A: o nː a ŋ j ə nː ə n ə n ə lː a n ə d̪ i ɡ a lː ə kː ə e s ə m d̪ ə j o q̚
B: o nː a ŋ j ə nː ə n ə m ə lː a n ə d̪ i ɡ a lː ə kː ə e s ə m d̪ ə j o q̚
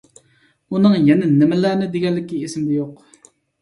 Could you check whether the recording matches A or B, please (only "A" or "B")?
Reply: B